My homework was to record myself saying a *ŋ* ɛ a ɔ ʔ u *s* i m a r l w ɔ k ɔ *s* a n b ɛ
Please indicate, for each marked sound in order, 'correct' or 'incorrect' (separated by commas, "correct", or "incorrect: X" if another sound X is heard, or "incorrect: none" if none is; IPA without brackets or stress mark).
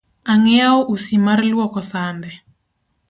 correct, correct, correct